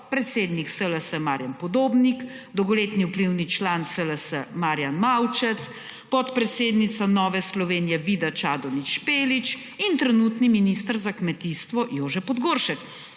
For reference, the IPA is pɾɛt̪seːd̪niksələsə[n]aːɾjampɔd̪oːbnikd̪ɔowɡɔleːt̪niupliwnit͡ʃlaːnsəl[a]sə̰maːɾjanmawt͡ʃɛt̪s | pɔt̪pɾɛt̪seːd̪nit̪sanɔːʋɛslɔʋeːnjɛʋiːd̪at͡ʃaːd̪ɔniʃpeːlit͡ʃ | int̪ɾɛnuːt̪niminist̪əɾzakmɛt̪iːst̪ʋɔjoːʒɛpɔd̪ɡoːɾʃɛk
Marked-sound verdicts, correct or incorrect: incorrect, incorrect

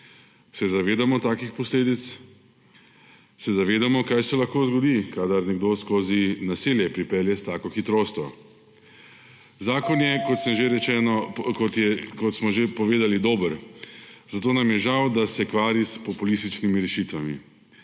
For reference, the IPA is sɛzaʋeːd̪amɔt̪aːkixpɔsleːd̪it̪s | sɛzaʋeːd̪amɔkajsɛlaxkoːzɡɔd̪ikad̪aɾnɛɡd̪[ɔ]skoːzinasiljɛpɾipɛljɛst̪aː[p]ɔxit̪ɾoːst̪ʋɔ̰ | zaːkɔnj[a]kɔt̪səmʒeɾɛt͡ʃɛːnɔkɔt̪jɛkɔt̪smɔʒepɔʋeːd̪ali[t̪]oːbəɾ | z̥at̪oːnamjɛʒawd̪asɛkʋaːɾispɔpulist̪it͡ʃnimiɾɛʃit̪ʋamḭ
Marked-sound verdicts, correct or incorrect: incorrect, incorrect, incorrect, incorrect

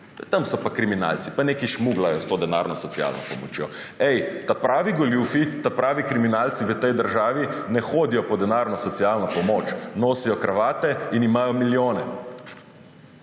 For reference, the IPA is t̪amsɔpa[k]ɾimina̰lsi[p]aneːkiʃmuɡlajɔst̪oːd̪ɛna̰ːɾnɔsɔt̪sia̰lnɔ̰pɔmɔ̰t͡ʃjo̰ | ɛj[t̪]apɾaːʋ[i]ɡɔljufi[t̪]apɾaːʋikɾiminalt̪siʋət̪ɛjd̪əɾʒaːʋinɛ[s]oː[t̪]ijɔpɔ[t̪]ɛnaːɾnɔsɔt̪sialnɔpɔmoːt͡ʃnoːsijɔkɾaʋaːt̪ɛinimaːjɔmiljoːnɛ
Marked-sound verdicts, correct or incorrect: correct, correct, correct, correct, correct, incorrect, incorrect, incorrect

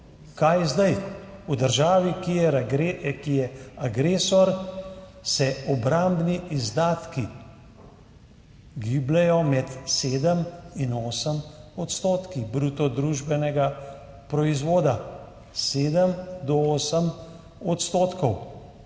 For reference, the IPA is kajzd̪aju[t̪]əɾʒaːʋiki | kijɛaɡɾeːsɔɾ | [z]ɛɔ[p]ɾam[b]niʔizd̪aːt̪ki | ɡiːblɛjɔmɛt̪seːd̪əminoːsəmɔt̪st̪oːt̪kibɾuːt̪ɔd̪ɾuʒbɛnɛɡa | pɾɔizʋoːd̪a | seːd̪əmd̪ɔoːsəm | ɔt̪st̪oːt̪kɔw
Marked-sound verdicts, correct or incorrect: incorrect, incorrect, incorrect, correct

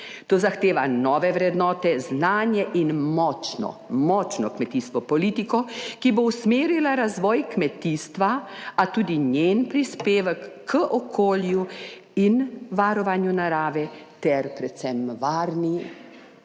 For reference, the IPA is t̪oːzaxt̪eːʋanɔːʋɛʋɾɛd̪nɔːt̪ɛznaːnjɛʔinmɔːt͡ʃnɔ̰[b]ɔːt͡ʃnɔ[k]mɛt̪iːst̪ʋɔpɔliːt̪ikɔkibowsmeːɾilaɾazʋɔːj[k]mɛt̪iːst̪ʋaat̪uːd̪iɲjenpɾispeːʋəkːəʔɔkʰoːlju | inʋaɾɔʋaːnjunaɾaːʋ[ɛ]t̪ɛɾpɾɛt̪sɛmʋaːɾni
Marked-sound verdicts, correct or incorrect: incorrect, correct, correct, correct

